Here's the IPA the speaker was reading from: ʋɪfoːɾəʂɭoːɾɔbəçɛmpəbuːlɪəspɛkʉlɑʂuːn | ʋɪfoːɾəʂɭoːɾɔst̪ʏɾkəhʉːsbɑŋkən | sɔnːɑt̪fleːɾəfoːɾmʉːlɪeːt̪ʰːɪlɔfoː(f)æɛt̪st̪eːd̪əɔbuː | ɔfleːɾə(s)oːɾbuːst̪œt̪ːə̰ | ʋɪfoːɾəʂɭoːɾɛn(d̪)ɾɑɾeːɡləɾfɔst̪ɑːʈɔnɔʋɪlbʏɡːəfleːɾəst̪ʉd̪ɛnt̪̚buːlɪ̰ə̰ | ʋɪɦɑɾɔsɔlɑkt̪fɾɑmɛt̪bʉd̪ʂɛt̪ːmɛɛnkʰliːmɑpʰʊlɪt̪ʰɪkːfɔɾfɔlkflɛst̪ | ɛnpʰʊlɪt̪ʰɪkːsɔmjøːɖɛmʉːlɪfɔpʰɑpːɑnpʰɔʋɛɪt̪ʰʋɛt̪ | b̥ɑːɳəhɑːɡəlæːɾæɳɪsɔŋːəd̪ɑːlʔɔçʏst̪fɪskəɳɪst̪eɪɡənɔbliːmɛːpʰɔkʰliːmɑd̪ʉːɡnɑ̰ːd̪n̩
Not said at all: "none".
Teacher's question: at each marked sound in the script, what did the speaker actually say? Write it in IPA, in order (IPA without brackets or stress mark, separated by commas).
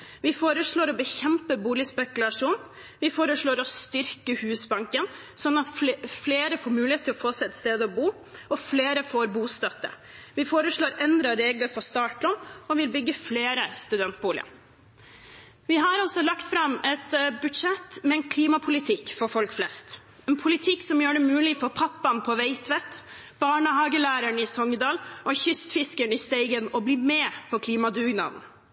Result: s, f, d̪